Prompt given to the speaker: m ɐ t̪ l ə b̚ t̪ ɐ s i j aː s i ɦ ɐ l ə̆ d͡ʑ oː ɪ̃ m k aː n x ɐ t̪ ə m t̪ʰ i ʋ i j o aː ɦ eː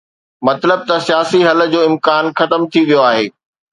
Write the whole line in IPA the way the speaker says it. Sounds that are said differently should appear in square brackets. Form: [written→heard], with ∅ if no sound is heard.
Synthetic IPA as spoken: m ɐ t̪ l ə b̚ t̪ ɐ s i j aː s i ɦ ɐ l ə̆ d͡ʑ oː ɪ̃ m k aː n x ɐ t̪ ə m t̪ʰ i ʋ i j o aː ɦ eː